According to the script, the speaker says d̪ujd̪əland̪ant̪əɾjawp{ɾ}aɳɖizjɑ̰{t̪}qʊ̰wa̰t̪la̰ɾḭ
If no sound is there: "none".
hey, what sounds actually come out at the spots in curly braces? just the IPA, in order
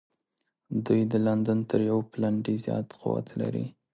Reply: l, t̪

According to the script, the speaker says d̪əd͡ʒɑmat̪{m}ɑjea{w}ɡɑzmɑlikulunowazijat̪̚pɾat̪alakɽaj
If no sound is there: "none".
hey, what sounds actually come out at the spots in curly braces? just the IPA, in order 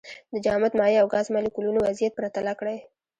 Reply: m, w

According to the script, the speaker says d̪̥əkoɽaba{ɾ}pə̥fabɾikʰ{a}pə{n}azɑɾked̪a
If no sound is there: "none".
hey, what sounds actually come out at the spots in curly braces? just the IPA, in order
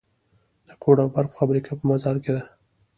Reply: ɾ, a, m

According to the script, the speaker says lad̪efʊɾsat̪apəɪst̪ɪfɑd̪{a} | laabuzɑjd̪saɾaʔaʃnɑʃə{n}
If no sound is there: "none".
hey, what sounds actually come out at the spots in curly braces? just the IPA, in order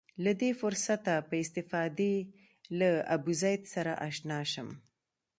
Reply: e, m

